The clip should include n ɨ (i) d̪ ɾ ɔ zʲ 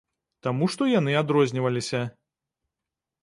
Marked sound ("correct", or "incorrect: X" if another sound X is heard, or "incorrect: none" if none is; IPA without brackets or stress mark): incorrect: a